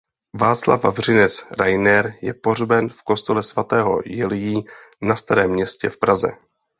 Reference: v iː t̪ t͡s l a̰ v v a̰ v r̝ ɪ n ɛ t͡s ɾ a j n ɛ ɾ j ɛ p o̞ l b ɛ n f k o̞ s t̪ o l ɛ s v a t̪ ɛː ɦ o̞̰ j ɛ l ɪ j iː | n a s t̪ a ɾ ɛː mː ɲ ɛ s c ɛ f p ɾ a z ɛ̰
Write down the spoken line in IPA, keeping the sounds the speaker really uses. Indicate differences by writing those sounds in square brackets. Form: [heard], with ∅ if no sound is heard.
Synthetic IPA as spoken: v [aː] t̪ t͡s l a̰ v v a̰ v r̝ ɪ n ɛ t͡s ɾ a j n ɛ ɾ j ɛ p o̞ [r] b ɛ n f k o̞ s t̪ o l ɛ s v a t̪ ɛː ɦ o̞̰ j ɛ l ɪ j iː | n a s t̪ a ɾ ɛː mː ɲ ɛ s c ɛ f p ɾ a z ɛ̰